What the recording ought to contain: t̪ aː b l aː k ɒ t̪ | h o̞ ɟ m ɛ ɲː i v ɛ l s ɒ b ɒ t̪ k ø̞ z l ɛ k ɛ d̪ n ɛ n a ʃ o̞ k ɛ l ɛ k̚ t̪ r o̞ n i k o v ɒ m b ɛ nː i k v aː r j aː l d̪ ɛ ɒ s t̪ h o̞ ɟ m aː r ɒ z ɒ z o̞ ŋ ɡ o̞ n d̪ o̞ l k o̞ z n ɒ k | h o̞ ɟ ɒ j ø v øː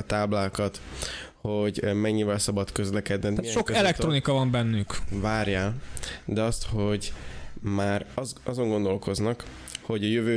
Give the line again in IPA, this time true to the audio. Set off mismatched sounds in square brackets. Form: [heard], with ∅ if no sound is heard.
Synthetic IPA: t̪ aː b l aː k ɒ t̪ | h o̞ ɟ m ɛ ɲː i v ɛ l s ɒ b ɒ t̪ k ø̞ z l ɛ k ɛ d̪ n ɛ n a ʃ o̞ k ɛ l ɛ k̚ t̪ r o̞ n i k [ɒ] v ɒ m b ɛ nː [y] k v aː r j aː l d̪ ɛ ɒ s t̪ h o̞ ɟ m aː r ɒ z ɒ z o̞ ŋ ɡ o̞ n d̪ o̞ l k o̞ z n ɒ k | h o̞ ɟ ɒ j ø v øː